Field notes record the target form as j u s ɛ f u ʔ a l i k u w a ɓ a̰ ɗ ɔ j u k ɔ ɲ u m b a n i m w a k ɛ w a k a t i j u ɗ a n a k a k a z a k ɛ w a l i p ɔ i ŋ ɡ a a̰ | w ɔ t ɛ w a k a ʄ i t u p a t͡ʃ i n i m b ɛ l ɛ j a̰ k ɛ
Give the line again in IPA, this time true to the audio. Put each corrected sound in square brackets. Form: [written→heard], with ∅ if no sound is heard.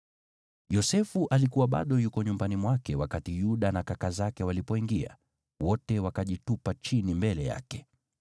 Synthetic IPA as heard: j [u→ɔ] s ɛ f u ʔ a l i k u w a ɓ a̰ ɗ ɔ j u k ɔ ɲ u m b a n i m w a k ɛ w a k a t i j u ɗ a n a k a k a z a k ɛ w a l i p ɔ i ŋ ɡ [a→i] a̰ | w ɔ t ɛ w a k a ʄ i t u p a t͡ʃ i n i m b ɛ l ɛ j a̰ k ɛ

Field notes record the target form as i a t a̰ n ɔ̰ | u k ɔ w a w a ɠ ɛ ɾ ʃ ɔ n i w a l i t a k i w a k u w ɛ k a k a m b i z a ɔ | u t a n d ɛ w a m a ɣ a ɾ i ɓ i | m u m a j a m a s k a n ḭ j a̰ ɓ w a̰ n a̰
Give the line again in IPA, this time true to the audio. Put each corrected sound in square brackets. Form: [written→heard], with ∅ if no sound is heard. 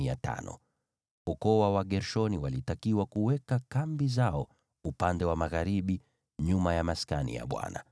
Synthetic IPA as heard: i a t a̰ n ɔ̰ | u k ɔ w a w a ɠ ɛ ɾ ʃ ɔ n i w a l i t a k i w a k u w ɛ k a k a m b i z a ɔ | u [t→p] a n d ɛ w a m a ɣ a ɾ i ɓ i | [m→ɲ] u m a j a m a s k a n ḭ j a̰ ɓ w a̰ n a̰

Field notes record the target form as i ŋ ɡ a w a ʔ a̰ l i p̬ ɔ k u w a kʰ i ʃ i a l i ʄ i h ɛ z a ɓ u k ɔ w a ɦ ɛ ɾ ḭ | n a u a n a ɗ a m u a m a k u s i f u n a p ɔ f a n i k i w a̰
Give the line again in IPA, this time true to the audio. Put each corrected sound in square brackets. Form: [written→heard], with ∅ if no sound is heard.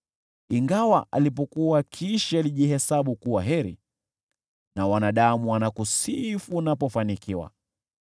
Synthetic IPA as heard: i ŋ ɡ a w a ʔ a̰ l i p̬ ɔ k u w a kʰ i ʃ i a l i ʄ i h ɛ [z→s] a ɓ u k [ɔ→u] w a ɦ ɛ ɾ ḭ | n a [u→w] a n a ɗ a m u a [m→n] a k u s i f u n a p ɔ f a n i k i w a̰

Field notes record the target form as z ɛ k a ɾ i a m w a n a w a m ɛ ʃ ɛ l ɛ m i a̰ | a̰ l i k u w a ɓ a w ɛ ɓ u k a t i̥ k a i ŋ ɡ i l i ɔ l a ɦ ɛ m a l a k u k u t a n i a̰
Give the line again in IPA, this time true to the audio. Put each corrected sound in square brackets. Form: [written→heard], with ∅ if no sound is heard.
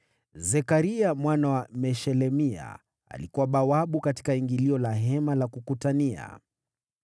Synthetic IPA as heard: z ɛ k a ɾ i a m w a n a w a m ɛ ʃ ɛ l ɛ m i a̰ | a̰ l i k u w a ɓ a w [ɛ→a] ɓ u k a t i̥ k a i ŋ ɡ i l i ɔ l a ɦ ɛ m a l a k u k u t a n i a̰

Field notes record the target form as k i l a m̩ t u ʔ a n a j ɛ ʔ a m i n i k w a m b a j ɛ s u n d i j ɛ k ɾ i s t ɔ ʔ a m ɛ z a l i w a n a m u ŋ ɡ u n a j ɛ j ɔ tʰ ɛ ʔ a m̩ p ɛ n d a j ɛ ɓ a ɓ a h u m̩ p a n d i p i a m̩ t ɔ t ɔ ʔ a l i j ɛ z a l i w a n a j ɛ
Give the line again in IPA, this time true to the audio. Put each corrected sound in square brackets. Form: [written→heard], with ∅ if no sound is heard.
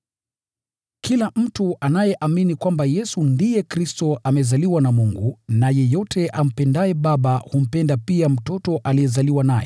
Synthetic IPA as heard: k i l a m̩ t u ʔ a n a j ɛ ʔ a m i n i k w a m b a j ɛ s u n d i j ɛ k ɾ i s t ɔ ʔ a m ɛ z a l i w a n a m u ŋ ɡ u n a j ɛ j ɔ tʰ ɛ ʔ a m̩ p ɛ n d a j ɛ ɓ a ɓ a h u m̩ p [a→ɛ] n d [i→a] p i a m̩ t ɔ t ɔ ʔ a l i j ɛ z a l i w a n a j ɛ

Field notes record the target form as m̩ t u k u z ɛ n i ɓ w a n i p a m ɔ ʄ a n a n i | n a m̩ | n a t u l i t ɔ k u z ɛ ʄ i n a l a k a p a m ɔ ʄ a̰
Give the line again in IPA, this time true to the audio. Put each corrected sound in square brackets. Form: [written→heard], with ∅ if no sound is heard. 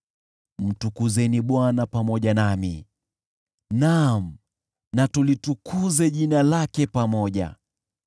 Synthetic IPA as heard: m̩ t u k u z ɛ n i ɓ w a n [i→a] p a m ɔ ʄ a n a [n→m] i | n a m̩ | n a t u l i t [ɔ→u] k u z ɛ ʄ i n a l a k [a→ɛ] p a m ɔ ʄ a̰

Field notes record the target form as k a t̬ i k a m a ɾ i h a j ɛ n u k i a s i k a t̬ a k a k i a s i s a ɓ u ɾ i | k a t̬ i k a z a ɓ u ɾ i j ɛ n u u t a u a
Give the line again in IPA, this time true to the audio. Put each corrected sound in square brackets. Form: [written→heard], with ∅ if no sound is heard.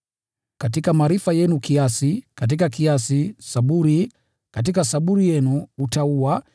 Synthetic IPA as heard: k a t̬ i k a m a ɾ i [h→f] a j ɛ n u k i a s i k a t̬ [a→i] k a k i a s i s a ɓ u ɾ i | k a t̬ i k a [z→s] a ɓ u ɾ i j ɛ n u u t a u a

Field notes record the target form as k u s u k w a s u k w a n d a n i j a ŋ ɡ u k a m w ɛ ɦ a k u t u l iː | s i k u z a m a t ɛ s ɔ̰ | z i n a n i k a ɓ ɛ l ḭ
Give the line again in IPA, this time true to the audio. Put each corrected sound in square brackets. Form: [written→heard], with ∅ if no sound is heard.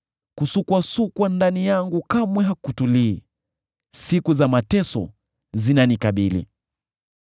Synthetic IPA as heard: k u s u k w a s u k w a n d a n i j a ŋ ɡ u k a m w ɛ ɦ a k u t u l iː | s i k u z a m a t ɛ s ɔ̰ | z i n a n i k a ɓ [ɛ→i] l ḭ

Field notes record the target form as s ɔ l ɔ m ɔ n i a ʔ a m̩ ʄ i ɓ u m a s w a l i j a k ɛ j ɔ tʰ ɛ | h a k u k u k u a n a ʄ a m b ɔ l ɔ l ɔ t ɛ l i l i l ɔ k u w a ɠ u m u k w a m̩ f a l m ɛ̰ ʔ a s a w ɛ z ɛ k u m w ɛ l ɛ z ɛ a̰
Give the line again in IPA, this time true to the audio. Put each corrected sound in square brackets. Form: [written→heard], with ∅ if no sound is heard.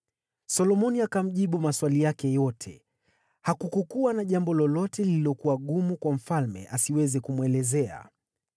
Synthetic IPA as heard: s ɔ l ɔ m ɔ n i a [ʔ→k] a m̩ ʄ i ɓ u m a s w a l i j a k ɛ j ɔ tʰ ɛ | h a k u k u k u a n a ʄ a m b ɔ l ɔ l ɔ t ɛ l i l i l ɔ k u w a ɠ u m u k w a m̩ f a l m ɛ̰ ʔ a s [a→i] w ɛ z ɛ k u m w ɛ l ɛ z ɛ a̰

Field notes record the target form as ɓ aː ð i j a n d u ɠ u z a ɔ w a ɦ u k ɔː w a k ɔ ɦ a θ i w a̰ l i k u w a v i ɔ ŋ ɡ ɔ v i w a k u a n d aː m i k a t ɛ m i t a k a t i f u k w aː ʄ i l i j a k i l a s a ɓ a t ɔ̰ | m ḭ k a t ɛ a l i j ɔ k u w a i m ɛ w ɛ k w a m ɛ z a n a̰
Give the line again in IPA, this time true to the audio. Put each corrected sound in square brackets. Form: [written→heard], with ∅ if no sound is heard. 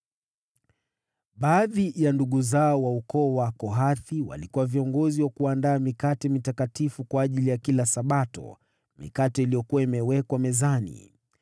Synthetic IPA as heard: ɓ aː ð i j a n d u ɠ u z a ɔ w a [ɦ→∅] u k ɔː w a k ɔ ɦ a θ i w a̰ l i k u w a v i ɔ ŋ ɡ ɔ [v→z] i w a k u a n d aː m i k a t ɛ m i t a k a t i f u k w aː ʄ i l i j a k i l a s a ɓ a t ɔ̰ | m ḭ k a t ɛ [a→i] l i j ɔ k u w a i m ɛ w ɛ k w a m ɛ z a n [a̰→ḭ]

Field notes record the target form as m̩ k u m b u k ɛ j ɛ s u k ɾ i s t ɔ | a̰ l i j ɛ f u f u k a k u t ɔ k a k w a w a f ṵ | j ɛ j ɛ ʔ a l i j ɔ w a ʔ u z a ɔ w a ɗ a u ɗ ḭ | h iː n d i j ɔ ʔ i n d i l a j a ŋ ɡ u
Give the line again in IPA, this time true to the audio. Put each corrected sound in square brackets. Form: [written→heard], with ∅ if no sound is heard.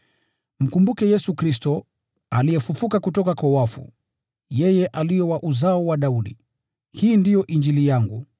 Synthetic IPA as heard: m̩ k u m b u k ɛ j ɛ s u k ɾ i s t ɔ | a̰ l i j ɛ f u f u k a k u t ɔ k a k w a w a f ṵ | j ɛ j ɛ ʔ a l i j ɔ w a ʔ u z a ɔ w a ɗ a u ɗ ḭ | h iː n d i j ɔ ʔ i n [d→d͡ʒ] i l [a→i] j a ŋ ɡ u

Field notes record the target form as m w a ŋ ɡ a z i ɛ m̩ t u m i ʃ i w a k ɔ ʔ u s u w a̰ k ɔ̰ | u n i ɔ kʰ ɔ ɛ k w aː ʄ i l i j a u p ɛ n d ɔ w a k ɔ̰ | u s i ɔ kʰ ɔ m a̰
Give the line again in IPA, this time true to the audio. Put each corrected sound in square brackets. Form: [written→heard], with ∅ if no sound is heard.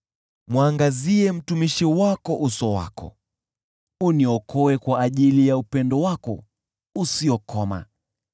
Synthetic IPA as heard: m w a ŋ ɡ a z i ɛ m̩ t u m i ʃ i w a k ɔ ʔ u s [u→ɔ] w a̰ k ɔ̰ | u n i ɔ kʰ ɔ ɛ k w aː ʄ i l i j a u p ɛ n d ɔ w a k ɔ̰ | u s i ɔ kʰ ɔ m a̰

